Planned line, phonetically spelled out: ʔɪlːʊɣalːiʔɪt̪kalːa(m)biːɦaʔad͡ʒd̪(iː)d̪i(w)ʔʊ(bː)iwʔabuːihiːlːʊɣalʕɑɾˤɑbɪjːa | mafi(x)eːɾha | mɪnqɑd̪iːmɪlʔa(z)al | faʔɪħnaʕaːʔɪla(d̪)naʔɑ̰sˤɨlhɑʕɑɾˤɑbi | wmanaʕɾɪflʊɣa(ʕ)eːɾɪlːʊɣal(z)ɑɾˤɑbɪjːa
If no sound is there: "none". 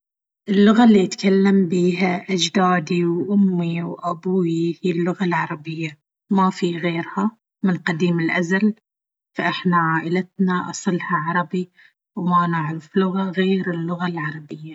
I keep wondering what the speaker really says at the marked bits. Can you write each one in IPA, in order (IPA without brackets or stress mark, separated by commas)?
m, aː, w, mː, ɣ, z, t̪, ɣ, ʕ